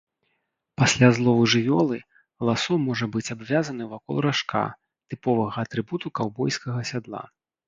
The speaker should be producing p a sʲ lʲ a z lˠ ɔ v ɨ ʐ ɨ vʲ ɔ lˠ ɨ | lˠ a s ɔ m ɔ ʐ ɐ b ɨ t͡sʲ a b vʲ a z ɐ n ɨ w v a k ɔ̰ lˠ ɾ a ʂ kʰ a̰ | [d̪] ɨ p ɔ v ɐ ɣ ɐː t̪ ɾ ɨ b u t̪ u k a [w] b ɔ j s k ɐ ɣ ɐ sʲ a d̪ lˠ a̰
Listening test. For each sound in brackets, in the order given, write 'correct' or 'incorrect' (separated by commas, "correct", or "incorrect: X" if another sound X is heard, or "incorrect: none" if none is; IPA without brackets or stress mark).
incorrect: t̪, correct